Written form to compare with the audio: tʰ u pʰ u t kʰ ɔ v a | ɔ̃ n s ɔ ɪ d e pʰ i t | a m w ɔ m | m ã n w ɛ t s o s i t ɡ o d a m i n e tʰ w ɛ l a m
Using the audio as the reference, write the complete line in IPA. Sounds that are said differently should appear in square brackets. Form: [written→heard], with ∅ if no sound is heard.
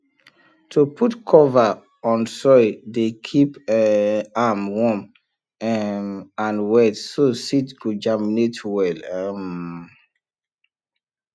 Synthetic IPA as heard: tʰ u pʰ u t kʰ ɔ v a | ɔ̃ n s ɔ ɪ d e [pʰ→kʰ] i [t→p] | a m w ɔ m | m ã n w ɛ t s o s i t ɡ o [d→d͡ʒ] a m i n e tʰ w ɛ l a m